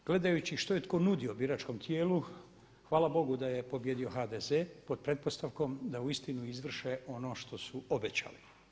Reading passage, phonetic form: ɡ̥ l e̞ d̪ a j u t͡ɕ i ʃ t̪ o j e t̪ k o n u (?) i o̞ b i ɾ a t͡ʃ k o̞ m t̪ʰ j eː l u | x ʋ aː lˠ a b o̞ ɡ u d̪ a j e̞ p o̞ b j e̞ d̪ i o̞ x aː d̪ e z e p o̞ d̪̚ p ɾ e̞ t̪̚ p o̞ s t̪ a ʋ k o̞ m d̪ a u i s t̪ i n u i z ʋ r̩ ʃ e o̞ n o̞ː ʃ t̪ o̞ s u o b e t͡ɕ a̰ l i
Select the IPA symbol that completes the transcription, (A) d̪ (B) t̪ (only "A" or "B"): A